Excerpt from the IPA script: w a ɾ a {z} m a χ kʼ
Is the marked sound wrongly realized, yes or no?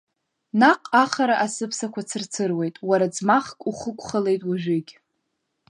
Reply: yes